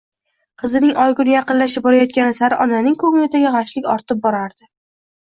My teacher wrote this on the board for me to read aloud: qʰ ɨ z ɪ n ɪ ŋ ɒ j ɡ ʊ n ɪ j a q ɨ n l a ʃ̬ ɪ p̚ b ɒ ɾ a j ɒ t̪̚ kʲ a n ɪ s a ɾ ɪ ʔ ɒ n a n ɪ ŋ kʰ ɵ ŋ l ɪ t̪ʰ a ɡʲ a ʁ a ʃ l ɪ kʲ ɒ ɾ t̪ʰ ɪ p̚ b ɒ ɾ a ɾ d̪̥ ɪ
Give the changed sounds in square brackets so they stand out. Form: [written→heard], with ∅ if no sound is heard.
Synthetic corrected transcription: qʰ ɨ z ɪ n ɪ ŋ ɒ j ɡ ʊ n ɪ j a q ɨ n l a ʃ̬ ɪ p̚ b ɒ ɾ a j ɒ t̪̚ kʲ a n ɪ s a ɾ ɪ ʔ ɒ n a n ɪ ŋ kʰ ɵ ŋ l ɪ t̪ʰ a ɡʲ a ʁ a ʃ l ɪ kʲ ɒ ɾ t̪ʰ ɪ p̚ b ɒ ɾ a ɾ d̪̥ ɪ